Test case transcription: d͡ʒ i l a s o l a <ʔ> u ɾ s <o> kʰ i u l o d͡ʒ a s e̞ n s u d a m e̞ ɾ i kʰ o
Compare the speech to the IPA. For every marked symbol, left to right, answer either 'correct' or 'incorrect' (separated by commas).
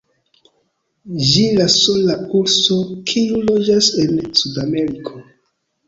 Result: incorrect, correct